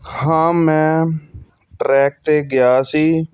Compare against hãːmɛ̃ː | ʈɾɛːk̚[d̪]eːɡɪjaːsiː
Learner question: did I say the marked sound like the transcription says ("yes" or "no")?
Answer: no